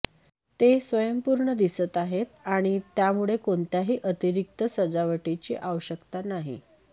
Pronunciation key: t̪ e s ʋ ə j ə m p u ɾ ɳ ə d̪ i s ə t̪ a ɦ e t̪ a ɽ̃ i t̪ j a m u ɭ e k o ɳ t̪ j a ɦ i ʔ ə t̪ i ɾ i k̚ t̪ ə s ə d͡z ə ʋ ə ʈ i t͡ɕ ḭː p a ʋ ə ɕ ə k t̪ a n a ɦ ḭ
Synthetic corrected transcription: t̪ e s ʋ ə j ə m p u ɾ ɳ ə d̪ i s ə t̪ a ɦ e t̪ a ɽ̃ i t̪ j a m u ɭ e k o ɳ t̪ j a ɦ iː ʔ ə t̪ i ɾ i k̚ t̪ ə s ə d͡z a ʋ ə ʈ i t͡ɕ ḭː ʔ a ʋ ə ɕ ə k t̪ a n a ɦ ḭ